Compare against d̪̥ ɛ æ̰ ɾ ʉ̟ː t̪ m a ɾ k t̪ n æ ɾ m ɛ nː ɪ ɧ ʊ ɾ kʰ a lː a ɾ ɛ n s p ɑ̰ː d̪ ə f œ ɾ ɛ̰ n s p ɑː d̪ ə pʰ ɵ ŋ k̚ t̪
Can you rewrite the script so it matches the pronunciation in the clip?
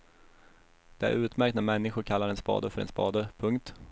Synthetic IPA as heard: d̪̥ ɛ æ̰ ɾ ʉ̟ː t̪ m æ ɾ k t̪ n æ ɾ m ɛ nː ɪ ɧ ʊ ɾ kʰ a lː a ɾ ɛ n s p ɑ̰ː d̪ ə f œ ɾ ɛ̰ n s p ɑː d̪ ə pʰ ɵ ŋ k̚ t̪

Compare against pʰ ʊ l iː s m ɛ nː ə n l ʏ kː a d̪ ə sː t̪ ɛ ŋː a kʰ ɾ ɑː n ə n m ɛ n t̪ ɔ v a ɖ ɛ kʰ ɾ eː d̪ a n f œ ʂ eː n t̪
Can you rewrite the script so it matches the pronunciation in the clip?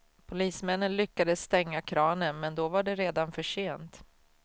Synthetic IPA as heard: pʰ ʊ l iː s m ɛ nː ə n l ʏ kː a d̪ ə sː t̪ ɛ ŋː a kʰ ɾ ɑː n ə n m ɛ n d̪ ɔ v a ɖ ɛ ɾ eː d̪ a n f œ ʂ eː n t̪

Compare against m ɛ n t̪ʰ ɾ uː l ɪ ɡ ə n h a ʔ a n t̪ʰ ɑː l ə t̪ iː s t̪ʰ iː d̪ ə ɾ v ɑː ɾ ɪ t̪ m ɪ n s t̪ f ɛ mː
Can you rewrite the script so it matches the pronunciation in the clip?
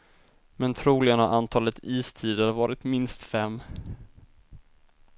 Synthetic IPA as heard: m ɛ n t̪ʰ ɾ uː l ɪ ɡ ə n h a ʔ a n t̪ʰ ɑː l ə t̪ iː s t̪ʰ iː d̪ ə ɾ v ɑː ɾ ɪ t̪ m ɪ n s t̪ f ɛ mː

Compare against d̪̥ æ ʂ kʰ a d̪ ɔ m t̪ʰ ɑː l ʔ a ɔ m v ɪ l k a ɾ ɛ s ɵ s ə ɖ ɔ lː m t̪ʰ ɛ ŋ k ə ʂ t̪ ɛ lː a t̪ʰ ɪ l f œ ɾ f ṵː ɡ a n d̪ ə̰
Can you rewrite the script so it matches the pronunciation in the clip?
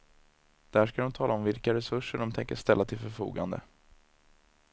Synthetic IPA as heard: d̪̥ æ ʂ k a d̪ ɔ m t̪ʰ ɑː l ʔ a ɔ m v ɪ l k a ɾ ɛ s ɵ ʂ ə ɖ ɔ m t̪ʰ ɛ ŋ k ə ʂ t̪ ɛ lː a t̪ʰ ɪ l f œ ɾ f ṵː ɡ a n d̪ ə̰

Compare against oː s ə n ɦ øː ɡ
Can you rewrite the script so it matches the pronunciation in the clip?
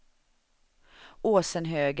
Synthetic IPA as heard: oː s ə n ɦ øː ɡ

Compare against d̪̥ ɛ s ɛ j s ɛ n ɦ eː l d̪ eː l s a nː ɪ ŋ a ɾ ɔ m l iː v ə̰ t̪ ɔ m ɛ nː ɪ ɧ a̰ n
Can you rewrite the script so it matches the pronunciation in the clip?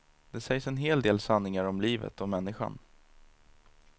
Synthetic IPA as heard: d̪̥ ɛ s ɛ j s ɛ n ɦ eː l d̪ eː l s a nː ɪ ŋ a ɾ ɔ m l iː v ə̰ t̪ ɔ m ɛ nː ɪ ɧ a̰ n

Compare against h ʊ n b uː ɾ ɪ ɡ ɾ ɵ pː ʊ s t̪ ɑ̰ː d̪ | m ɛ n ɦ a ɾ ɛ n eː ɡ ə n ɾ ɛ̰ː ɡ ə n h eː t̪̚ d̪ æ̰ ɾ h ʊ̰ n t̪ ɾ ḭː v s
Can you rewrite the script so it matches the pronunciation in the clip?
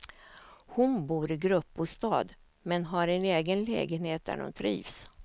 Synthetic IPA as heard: h ʊ n b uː ɾ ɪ ɡ ɾ ɵ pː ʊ s t̪ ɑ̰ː d̪ | m ɛ n ɦ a ɾ ɛ n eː ɡ ə n l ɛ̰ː ɡ ə n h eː t̪̚ d̪ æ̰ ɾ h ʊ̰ n t̪ʰ ɾ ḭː v s

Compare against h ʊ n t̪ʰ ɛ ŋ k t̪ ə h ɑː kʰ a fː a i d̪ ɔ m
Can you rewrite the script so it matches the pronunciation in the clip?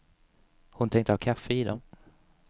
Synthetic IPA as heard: h ʊ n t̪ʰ ɛ ŋ k t̪ ə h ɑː kʰ a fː ə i d̪ ɔ m

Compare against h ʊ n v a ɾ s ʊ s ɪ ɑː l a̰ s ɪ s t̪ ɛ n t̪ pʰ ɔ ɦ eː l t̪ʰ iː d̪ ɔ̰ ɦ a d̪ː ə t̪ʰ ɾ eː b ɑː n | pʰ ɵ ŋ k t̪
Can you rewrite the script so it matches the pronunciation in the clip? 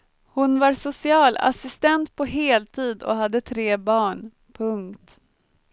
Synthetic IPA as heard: h ʊ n v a ɾ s ʊ s ɪ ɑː l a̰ s ɪ s t̪ ɛ n t̪ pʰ ɔ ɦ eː l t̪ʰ iː d̪ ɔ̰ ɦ a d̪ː ə t̪ʰ ɾ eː b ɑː ɳ | pʰ ɵ ŋ k t̪

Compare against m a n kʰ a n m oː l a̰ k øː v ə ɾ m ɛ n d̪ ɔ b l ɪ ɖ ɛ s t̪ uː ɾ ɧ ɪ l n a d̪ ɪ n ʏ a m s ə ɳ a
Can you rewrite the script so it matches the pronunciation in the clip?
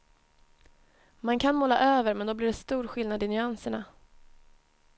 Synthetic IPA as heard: m a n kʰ a n m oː l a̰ ʔ øː v ə ɾ m ɛ n d̪ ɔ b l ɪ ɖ ɛ s t̪ uː ɾ ɧ ɪ l n a d̪ ɪ n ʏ a n s ə ɳ a

